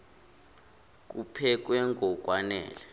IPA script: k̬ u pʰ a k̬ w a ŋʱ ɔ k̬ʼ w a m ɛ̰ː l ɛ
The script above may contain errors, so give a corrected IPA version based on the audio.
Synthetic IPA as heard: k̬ u pʰ ɛ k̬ w ɛ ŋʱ ɔ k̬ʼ w a n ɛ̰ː l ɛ